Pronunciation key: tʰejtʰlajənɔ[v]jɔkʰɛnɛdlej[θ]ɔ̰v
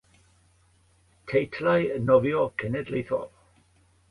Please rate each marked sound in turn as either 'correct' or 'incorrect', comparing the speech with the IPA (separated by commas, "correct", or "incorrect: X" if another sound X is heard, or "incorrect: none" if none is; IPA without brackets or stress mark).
correct, correct